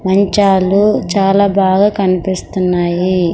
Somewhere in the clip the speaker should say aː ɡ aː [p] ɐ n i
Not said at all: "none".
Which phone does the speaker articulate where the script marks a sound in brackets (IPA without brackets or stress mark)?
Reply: k